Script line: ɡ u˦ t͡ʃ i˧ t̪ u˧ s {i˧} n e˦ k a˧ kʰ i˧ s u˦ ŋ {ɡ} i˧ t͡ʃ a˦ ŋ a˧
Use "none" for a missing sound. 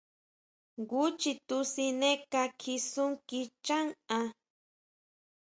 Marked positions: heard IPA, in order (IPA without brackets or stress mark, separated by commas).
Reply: i˧, k